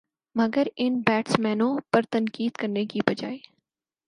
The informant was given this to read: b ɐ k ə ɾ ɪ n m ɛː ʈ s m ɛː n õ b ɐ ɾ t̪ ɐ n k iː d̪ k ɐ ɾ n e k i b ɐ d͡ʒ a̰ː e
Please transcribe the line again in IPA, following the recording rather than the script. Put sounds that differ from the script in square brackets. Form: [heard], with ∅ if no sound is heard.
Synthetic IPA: [m] ɐ [ɡ] ə ɾ ɪ n [b] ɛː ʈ s m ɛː n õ [p] ɐ ɾ t̪ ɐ n k iː d̪ k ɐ ɾ n e k i b ɐ d͡ʒ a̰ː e